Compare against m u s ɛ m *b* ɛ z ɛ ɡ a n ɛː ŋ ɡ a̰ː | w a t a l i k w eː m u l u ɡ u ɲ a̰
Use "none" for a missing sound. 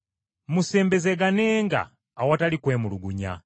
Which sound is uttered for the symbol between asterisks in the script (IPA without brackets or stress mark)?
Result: b